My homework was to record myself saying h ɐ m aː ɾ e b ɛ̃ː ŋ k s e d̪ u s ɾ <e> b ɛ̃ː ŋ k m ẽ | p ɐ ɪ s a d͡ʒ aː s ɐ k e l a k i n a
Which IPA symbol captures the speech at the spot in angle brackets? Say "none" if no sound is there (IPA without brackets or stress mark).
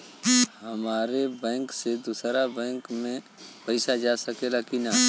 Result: a